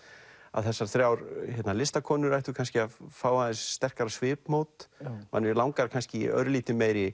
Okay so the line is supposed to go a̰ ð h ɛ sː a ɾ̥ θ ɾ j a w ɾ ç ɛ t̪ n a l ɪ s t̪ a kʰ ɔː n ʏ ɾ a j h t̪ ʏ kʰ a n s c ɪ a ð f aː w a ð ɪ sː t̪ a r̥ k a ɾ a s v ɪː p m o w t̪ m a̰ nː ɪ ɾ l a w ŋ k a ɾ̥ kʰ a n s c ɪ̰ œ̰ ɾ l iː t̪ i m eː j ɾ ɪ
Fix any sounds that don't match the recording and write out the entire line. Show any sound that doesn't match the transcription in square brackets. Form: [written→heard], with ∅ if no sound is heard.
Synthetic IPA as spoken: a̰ ð [h→θ] ɛ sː a ɾ̥ θ ɾ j a w ɾ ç ɛ t̪ n a l ɪ s t̪ a kʰ ɔː n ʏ ɾ a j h t̪ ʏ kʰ a n s c ɪ a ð f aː w a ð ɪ sː t̪ [a→ɛ] r̥ k a ɾ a s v ɪː p m o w t̪ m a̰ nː ɪ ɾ l a w ŋ k a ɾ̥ kʰ a n s c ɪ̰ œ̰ ɾ l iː t̪ [i→ɪ] m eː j ɾ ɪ